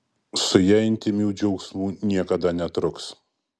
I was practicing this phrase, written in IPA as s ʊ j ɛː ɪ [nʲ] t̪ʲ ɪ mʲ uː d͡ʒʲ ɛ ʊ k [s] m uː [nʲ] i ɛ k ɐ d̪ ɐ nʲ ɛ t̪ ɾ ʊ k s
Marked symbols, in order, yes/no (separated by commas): yes, yes, yes